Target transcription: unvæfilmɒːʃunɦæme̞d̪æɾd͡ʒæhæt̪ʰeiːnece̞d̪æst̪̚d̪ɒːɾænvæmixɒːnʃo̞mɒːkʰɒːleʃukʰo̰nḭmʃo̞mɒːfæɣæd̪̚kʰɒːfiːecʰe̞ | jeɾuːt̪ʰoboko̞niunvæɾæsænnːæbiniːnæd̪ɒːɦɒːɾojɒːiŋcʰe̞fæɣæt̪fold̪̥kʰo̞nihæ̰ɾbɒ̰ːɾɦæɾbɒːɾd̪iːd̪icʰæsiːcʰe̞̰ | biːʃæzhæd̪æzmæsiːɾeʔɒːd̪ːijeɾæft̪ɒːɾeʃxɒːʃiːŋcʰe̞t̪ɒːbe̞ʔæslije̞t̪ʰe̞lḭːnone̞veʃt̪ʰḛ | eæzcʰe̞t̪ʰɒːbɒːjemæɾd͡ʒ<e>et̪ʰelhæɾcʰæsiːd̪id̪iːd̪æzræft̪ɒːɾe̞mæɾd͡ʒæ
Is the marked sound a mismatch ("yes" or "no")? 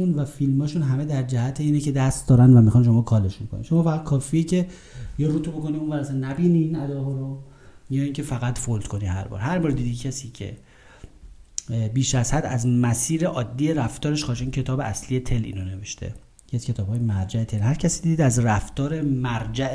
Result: yes